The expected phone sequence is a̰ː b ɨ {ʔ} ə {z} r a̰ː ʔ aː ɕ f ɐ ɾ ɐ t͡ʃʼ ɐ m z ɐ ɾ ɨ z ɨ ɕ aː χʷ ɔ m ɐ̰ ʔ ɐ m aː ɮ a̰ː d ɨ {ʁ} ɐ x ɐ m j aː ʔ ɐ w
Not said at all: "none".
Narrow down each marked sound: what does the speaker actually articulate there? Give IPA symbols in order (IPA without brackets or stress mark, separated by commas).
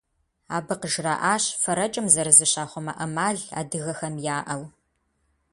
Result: q, ʒ, ɣ